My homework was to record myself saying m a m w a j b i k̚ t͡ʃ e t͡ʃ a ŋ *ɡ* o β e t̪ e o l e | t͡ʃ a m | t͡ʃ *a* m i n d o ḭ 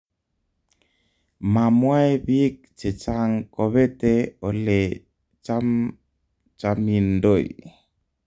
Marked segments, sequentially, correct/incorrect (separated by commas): incorrect, correct